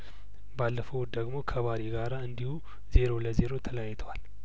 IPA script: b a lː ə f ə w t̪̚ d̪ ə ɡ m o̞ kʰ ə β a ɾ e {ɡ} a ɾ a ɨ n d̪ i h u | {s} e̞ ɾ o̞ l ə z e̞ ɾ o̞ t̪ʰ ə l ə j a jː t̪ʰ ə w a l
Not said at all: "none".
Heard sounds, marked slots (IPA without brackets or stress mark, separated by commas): ɡ, z